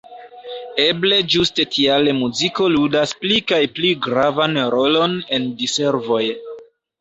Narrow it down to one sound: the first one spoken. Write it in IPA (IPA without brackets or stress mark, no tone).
e̞